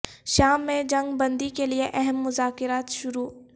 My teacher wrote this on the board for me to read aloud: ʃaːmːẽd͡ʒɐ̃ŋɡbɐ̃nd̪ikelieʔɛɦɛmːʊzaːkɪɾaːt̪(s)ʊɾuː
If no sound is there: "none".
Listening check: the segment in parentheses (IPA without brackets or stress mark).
ʃ